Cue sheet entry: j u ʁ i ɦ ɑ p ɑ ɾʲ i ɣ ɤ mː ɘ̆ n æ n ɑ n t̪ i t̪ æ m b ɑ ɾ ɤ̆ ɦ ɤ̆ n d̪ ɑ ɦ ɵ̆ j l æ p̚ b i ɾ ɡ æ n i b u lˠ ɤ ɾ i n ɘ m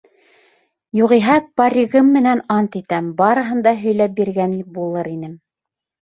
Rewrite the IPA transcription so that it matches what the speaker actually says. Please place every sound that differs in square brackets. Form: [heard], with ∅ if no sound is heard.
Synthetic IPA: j u ʁ i ɦ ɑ p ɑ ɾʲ i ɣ ɤ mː ɘ̆ n æ n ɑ n t̪ i t̪ æ m b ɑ ɾ ɤ̆ ɦ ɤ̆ n d̪ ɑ ɦ ɵ̆ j l æ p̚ b i ɾ ɡ æ n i b u lˠ ɤ ɾ i n ɘ m